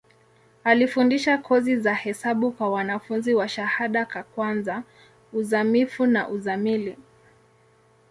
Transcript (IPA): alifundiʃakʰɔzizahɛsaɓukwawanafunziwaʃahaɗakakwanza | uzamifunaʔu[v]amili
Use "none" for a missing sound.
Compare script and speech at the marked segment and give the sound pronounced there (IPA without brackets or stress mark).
z